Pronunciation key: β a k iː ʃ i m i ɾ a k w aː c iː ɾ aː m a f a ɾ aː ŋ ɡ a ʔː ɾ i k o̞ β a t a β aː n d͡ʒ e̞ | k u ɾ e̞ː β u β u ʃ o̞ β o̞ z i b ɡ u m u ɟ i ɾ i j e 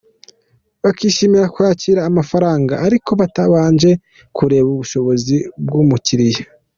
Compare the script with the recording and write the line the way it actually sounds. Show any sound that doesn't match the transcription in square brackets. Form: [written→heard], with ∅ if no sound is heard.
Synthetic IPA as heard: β a k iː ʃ i m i ɾ a k w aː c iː ɾ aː m a f a ɾ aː ŋ ɡ a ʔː ɾ i k o̞ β a t a β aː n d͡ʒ e̞ | k u ɾ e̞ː β u β u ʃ o̞ β o̞ z i b ɡ u m u [ɟ→c] i ɾ i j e